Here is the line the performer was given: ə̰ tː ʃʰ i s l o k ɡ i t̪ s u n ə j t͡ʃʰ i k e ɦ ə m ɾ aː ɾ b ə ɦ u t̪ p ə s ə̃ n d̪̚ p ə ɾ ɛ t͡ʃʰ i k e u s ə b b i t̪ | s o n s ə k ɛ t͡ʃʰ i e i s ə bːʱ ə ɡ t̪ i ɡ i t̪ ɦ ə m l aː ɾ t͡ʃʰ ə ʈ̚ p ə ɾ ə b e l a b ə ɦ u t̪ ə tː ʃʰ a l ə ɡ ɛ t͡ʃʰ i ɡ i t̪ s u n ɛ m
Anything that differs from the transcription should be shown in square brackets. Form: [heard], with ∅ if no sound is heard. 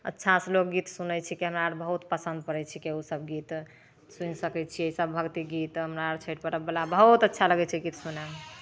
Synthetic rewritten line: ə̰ tː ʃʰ [a] s l o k ɡ i t̪ s u n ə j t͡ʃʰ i k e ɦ ə m ɾ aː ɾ b ə ɦ u t̪ p ə s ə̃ n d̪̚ p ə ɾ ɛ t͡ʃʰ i k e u s ə b [ɡ] i t̪ | s [u] n s ə k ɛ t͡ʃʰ i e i s ə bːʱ ə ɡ t̪ i ɡ i t̪ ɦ ə m [ɾ] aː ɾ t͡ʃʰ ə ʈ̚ p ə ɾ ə b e l a b ə ɦ u t̪ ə tː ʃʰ a l ə ɡ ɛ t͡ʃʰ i ɡ i t̪ s u n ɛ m